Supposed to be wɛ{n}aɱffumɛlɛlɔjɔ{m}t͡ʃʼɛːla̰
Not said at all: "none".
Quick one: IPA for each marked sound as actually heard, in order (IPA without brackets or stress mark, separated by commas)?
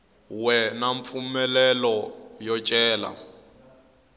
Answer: n, none